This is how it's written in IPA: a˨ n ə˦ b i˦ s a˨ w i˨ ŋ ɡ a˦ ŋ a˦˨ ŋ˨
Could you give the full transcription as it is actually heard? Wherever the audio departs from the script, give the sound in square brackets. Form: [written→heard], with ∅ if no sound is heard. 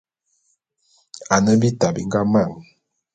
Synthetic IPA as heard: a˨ n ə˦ b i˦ [s→t] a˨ [w→b] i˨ ŋ ɡ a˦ [ŋ→m] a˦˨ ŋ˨